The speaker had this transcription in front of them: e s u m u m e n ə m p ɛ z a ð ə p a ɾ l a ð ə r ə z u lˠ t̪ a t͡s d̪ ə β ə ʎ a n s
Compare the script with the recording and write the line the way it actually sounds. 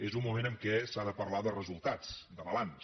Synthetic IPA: e z u m u m e n ə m k ɛ s a ð ə p ə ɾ l a ð ə r ə z u lˠ t̪ a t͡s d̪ ə β ə l a n s